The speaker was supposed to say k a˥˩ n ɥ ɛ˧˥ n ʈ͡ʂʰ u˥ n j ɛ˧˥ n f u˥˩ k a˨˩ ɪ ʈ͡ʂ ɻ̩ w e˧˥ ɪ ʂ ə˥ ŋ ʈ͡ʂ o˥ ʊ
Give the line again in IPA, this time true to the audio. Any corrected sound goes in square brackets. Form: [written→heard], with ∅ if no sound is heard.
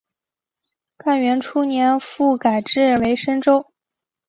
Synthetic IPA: k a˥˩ n ɥ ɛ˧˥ n ʈ͡ʂʰ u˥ n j ɛ˧˥ n f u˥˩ k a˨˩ ɪ ʈ͡ʂ ɻ̩ w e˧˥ ɪ ʂ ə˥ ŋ ʈ͡ʂ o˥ ʊ